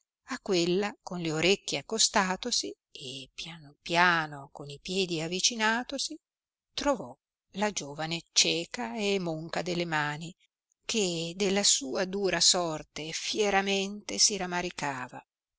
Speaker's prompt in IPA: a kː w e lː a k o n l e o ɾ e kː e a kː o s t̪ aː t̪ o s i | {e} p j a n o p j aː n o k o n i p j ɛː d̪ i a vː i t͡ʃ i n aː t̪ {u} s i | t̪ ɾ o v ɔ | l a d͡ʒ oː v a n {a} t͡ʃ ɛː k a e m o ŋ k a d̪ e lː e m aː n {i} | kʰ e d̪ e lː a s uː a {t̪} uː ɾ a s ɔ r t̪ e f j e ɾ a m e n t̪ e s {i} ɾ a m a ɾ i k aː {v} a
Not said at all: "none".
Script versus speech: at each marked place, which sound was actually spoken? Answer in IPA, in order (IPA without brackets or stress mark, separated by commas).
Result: e, o, e, i, d̪, i, v